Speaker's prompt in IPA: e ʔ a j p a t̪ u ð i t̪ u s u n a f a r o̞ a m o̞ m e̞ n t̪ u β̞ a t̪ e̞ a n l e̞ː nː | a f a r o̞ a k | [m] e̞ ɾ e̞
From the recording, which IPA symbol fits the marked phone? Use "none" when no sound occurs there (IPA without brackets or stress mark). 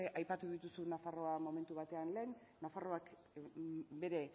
b